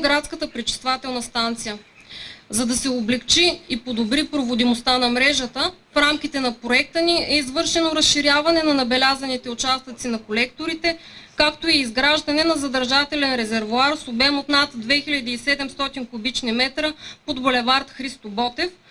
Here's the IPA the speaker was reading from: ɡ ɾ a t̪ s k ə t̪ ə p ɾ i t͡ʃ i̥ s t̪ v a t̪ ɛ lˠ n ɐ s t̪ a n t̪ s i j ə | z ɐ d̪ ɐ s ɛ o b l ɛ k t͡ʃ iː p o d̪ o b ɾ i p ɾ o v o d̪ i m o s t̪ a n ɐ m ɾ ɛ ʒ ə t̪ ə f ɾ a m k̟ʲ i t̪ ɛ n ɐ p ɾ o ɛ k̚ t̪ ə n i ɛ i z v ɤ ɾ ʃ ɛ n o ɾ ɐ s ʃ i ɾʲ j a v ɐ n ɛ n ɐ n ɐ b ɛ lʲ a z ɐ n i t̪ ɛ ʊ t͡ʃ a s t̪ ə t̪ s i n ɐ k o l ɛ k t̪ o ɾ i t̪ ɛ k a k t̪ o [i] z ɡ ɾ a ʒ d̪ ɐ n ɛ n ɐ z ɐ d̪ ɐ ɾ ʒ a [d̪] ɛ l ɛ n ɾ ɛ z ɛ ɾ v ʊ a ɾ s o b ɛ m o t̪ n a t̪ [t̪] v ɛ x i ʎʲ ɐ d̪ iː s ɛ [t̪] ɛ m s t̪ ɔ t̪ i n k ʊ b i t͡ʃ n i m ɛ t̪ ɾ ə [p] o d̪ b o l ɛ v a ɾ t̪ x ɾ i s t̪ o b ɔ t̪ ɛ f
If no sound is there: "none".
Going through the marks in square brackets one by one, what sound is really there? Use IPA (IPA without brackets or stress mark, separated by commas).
iː, t̪, d̪, d̪, p